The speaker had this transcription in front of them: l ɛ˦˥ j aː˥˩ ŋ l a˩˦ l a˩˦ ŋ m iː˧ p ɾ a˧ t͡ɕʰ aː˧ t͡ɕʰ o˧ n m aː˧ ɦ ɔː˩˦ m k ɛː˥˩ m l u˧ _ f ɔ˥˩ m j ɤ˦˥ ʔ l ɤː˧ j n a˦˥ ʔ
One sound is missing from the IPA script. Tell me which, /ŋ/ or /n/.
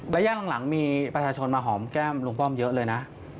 ŋ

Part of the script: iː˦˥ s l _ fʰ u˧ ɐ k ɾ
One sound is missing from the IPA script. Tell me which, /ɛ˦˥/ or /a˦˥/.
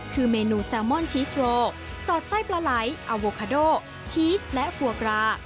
ɛ˦˥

